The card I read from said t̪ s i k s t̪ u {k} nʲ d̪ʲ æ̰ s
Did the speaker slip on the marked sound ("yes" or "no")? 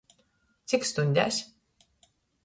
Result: yes